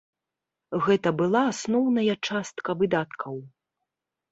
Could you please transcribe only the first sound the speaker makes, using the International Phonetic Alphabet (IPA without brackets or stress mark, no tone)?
ɣ